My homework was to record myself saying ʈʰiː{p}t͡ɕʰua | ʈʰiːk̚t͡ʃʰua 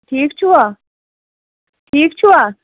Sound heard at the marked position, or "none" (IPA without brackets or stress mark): k